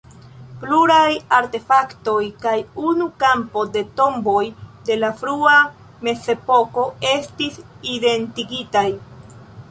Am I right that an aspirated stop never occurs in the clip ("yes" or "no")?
yes